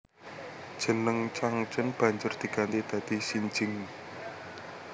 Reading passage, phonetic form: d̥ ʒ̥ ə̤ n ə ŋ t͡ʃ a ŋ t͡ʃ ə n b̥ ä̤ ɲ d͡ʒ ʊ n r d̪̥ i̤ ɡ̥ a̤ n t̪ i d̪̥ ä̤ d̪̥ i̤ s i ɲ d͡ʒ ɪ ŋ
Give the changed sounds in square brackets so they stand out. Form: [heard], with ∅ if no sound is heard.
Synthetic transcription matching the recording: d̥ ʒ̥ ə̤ n ə ŋ t͡ʃ a ŋ t͡ʃ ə n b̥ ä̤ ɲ d͡ʒ ʊ [∅] r d̪̥ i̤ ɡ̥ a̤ n t̪ i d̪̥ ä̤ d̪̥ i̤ s i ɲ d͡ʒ ɪ ŋ